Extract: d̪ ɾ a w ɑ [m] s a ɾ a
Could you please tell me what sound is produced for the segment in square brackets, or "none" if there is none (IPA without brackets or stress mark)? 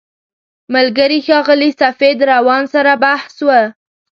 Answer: n